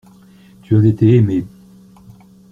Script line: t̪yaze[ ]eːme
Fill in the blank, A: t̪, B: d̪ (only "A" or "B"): A